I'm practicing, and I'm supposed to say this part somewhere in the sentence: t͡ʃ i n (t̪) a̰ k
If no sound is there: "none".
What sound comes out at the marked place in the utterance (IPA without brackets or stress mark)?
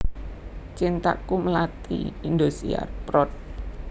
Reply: t̪